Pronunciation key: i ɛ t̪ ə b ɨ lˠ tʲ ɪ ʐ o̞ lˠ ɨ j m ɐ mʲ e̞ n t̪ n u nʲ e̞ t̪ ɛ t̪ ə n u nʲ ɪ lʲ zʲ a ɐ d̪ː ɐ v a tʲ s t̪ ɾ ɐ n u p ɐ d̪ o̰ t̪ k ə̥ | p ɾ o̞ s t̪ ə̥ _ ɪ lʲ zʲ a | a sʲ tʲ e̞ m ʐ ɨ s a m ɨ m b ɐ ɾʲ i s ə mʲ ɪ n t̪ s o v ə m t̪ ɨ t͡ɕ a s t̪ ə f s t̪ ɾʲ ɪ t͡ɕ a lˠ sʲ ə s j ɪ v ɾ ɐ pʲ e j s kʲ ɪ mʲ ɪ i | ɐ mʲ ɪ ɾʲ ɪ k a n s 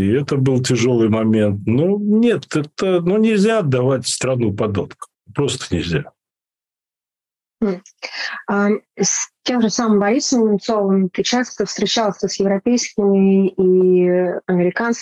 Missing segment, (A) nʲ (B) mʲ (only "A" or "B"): A